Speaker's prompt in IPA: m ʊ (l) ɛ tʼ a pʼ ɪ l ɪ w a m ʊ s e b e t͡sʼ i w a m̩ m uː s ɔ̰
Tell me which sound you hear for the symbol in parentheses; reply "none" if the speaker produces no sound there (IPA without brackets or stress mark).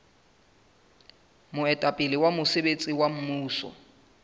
none